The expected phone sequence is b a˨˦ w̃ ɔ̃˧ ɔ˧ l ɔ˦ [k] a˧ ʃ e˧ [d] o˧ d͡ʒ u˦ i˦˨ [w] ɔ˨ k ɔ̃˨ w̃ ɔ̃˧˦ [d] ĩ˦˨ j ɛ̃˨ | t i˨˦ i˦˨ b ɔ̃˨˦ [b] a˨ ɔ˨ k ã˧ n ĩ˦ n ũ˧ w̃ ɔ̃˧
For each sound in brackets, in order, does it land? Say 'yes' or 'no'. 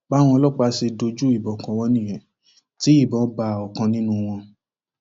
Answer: no, yes, no, no, yes

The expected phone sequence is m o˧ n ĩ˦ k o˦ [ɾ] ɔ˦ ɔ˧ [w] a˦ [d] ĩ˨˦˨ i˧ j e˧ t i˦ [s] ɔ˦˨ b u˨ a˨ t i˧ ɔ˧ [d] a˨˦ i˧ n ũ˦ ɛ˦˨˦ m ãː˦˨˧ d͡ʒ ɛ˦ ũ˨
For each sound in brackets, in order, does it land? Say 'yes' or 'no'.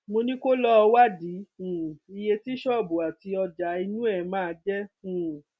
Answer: no, yes, yes, no, no

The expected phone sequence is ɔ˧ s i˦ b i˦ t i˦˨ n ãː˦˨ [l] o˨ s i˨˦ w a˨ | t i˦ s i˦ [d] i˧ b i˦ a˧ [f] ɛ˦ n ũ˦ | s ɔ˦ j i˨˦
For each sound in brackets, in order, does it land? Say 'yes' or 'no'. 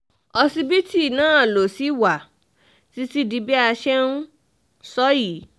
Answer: yes, yes, no

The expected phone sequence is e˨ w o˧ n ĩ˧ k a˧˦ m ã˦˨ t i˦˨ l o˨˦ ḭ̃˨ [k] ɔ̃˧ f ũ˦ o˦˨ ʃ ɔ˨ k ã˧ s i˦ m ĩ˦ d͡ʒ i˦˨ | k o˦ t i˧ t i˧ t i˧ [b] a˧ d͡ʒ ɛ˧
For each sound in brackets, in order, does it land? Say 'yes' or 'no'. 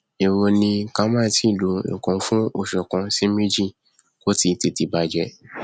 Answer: yes, yes

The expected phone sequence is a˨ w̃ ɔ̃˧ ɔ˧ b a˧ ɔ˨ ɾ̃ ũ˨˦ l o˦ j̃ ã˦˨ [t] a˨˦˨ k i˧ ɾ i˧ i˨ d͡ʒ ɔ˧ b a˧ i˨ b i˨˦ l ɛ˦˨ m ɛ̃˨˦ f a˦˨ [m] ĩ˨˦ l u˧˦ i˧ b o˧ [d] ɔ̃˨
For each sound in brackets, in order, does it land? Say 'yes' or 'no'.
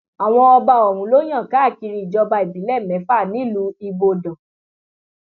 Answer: no, no, yes

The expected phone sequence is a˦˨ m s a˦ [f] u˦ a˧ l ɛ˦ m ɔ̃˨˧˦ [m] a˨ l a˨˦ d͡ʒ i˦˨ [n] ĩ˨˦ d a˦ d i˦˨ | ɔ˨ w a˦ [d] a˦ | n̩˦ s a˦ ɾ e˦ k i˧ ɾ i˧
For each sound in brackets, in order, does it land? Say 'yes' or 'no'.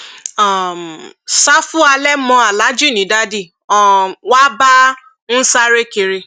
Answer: yes, no, yes, no

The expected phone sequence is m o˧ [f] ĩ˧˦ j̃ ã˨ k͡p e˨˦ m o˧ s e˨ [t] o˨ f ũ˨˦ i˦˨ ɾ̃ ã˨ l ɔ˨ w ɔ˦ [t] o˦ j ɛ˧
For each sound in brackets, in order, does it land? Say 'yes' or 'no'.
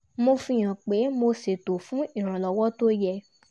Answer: yes, yes, yes

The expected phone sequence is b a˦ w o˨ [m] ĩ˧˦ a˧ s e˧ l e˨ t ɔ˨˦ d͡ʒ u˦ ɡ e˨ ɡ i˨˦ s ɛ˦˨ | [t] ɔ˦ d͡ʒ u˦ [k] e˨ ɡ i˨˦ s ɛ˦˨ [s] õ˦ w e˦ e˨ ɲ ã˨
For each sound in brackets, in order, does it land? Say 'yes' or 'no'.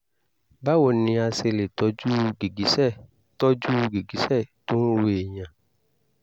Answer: no, yes, no, no

